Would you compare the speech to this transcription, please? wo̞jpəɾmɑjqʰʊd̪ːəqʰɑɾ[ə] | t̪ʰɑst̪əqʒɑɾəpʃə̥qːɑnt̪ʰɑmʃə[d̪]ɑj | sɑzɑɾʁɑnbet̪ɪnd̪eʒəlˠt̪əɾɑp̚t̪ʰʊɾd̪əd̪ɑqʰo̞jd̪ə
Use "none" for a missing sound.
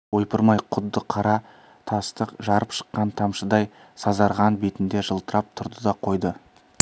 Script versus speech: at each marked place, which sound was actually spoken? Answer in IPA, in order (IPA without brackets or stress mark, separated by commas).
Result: ɑ, d̪